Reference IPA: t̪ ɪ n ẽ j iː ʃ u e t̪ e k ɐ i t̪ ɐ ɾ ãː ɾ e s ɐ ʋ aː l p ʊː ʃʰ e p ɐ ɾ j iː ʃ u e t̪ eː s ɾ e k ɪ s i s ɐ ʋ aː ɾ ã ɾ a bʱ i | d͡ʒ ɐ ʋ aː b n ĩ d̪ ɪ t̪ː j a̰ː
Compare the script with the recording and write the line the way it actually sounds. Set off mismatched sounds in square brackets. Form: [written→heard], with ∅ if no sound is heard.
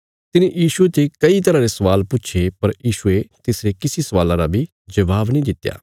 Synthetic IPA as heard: t̪ ɪ n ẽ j iː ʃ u e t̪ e k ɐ i t̪ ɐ ɾ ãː ɾ e s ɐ ʋ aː l p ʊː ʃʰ e p ɐ ɾ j iː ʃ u e t̪ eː s ɾ e k ɪ s i s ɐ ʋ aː [ɾ→l] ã ɾ a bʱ i | d͡ʒ ɐ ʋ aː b n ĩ d̪ ɪ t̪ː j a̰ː